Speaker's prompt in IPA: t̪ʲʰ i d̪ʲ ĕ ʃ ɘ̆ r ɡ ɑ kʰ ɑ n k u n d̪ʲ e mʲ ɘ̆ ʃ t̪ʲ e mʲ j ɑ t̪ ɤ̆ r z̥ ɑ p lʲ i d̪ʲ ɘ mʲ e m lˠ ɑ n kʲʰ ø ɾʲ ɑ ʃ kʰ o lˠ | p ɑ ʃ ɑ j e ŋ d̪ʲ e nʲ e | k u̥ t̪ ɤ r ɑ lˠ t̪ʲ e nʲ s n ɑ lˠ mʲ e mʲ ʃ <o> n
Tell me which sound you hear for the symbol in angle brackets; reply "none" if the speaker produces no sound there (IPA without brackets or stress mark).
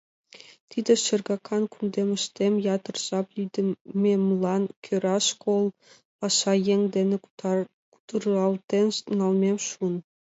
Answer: u